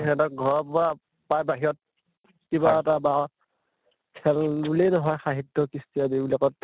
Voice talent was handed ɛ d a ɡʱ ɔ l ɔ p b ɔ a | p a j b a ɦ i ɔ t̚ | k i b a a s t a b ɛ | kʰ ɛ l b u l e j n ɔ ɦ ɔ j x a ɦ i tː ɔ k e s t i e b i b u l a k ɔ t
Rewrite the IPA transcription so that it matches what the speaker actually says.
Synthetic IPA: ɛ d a ɡʱ ɔ ɹ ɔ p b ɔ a | p a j b a ɦ i ɔ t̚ | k i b a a t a b a | kʰ ɛ l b u l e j n ɔ ɦ ɔ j x a ɦ i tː ɔ k i s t i a b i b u l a k ɔ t